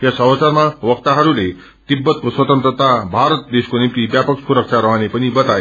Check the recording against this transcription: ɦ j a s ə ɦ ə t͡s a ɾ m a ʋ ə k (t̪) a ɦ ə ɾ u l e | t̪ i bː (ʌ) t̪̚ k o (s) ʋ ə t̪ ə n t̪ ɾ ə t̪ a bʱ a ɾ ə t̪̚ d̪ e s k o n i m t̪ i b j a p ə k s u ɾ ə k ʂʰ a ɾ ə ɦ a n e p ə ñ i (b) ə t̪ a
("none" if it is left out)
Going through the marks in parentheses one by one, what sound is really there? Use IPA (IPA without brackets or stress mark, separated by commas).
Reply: t̪, ə, s, b